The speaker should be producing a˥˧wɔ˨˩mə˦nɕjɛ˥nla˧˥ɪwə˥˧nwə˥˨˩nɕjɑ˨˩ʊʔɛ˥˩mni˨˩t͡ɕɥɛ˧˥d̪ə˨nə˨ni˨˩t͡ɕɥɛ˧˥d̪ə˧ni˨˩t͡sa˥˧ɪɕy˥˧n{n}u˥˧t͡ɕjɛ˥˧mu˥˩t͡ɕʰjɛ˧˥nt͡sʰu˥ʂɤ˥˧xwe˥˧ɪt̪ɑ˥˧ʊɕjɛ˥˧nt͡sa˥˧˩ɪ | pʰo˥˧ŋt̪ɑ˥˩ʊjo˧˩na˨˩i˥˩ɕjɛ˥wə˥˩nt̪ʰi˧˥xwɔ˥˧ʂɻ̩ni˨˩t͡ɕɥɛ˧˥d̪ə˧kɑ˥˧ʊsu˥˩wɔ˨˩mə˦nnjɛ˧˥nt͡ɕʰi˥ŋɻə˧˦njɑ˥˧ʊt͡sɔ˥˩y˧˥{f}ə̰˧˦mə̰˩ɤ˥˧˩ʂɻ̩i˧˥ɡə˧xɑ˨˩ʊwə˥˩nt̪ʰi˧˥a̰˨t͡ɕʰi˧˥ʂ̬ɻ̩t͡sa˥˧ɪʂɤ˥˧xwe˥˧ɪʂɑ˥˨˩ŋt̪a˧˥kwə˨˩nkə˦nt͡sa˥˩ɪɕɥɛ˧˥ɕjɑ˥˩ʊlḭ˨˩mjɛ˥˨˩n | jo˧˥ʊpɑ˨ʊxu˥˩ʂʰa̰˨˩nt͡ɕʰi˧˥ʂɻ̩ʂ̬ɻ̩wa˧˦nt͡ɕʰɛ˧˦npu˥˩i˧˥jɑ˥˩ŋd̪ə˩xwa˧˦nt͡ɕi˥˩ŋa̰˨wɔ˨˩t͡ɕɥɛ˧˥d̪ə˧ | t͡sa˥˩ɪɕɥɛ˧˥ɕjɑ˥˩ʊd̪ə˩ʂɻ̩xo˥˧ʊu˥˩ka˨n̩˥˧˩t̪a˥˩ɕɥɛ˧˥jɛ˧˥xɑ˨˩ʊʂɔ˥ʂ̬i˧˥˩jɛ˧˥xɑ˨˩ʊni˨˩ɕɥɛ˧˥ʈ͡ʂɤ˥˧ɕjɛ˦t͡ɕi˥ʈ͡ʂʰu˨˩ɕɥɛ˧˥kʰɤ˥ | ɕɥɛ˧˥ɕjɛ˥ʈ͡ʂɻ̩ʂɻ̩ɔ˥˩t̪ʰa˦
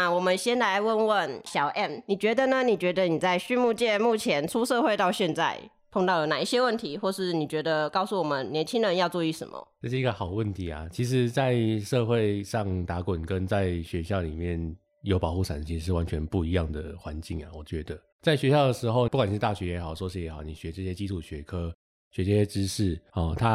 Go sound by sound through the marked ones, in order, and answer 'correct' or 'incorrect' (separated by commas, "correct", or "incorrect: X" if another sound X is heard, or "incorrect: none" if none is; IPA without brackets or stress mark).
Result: incorrect: m, incorrect: ʂ